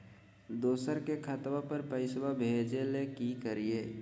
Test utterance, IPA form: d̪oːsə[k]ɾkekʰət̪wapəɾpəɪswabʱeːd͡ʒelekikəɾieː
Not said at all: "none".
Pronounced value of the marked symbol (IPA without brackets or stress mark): none